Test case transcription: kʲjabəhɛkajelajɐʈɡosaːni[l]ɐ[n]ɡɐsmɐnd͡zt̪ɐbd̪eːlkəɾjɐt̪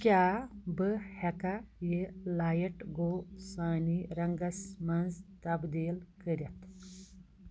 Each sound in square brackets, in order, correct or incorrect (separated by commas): incorrect, incorrect